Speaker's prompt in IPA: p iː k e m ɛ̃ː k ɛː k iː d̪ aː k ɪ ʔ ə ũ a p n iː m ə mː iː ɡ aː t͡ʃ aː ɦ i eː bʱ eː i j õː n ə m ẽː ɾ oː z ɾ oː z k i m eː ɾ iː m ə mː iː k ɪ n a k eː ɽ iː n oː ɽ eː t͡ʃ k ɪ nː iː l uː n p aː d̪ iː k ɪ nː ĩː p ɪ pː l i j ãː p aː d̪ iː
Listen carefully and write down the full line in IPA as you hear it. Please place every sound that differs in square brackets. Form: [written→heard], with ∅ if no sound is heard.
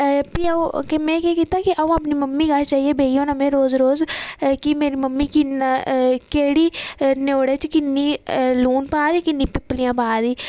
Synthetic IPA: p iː k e m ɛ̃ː k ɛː k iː [d̪→t̪] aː k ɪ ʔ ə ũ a p n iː m ə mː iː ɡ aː t͡ʃ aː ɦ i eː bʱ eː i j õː n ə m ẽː ɾ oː z ɾ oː z k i m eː ɾ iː m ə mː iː k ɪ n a k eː ɽ iː n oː ɽ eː t͡ʃ k ɪ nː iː l uː n p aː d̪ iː k ɪ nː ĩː p ɪ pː l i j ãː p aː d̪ iː

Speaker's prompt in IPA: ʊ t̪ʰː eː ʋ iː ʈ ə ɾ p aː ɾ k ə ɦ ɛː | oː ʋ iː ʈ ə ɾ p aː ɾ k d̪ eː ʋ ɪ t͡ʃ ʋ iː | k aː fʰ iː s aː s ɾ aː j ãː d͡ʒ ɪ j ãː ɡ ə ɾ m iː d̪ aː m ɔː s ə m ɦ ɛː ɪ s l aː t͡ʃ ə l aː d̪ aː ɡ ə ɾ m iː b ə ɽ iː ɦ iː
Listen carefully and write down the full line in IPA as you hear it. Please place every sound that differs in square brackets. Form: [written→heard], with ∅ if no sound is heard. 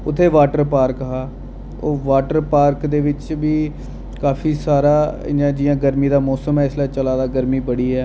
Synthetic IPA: ʊ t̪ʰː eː ʋ [iː→aː] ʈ ə ɾ p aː ɾ k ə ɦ [ɛː→aː] | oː ʋ [iː→aː] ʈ ə ɾ p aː ɾ k d̪ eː ʋ ɪ t͡ʃ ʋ iː | k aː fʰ iː s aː [s→∅] ɾ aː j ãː d͡ʒ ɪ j ãː ɡ ə ɾ m iː d̪ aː m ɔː s ə m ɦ ɛː ɪ s l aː t͡ʃ ə l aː d̪ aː ɡ ə ɾ m iː b ə ɽ iː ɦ [iː→ɛː]

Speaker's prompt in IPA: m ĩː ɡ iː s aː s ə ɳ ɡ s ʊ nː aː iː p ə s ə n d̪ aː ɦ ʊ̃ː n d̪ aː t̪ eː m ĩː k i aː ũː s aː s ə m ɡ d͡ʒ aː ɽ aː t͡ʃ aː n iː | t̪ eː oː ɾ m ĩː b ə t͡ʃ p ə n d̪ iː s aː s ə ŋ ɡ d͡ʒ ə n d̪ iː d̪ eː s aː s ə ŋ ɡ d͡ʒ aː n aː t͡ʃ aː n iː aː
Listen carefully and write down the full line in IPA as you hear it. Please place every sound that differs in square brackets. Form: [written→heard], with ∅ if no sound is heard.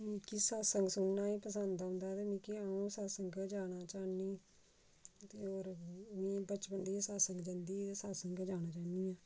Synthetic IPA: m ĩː [ɡ→k] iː s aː s ə [ɳ→ŋ] ɡ s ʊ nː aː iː p ə s ə n d̪ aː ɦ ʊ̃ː n d̪ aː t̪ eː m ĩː k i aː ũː s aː s ə [m→ŋ] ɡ d͡ʒ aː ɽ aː t͡ʃ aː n iː | t̪ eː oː ɾ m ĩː b ə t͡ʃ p ə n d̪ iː s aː s ə ŋ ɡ d͡ʒ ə n d̪ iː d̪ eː s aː s ə ŋ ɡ d͡ʒ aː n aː t͡ʃ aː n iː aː

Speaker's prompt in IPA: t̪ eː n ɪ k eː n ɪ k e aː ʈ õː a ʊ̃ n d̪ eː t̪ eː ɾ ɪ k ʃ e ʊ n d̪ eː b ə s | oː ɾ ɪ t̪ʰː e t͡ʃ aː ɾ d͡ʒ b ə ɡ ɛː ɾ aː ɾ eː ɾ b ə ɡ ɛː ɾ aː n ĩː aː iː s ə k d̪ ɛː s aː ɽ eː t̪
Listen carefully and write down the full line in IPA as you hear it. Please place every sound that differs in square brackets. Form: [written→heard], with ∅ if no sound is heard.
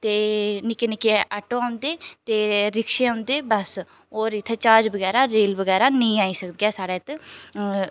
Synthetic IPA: t̪ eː n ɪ k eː n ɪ k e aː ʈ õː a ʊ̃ n d̪ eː t̪ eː ɾ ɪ k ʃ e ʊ n d̪ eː b ə s | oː ɾ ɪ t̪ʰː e t͡ʃ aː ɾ d͡ʒ b ə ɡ ɛː ɾ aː ɾ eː [ɾ→l] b ə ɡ ɛː ɾ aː n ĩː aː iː s ə k d̪ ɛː s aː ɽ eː t̪

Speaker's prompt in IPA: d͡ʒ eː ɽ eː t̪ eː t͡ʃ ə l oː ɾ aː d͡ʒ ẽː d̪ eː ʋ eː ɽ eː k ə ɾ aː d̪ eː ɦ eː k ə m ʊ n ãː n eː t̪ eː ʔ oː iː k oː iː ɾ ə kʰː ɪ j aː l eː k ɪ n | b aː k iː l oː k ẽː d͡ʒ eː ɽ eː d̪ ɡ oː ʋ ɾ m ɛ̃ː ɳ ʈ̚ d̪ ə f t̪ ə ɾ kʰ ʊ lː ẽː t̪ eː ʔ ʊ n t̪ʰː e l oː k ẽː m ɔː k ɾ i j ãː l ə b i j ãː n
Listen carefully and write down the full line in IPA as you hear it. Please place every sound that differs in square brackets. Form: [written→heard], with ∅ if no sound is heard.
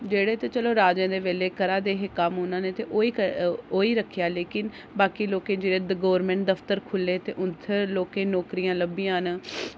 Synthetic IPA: d͡ʒ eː ɽ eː t̪ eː t͡ʃ ə l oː ɾ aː d͡ʒ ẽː d̪ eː ʋ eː [ɽ→l] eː k ə ɾ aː d̪ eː ɦ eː k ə m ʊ n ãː n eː t̪ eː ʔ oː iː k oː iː ɾ ə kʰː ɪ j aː l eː k ɪ n | b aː k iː l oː k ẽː d͡ʒ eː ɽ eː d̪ ɡ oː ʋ ɾ m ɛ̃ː ɳ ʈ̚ d̪ ə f t̪ ə ɾ kʰ ʊ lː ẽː t̪ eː ʔ ʊ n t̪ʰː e l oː k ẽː [m→n] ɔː k ɾ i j ãː l ə b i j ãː n

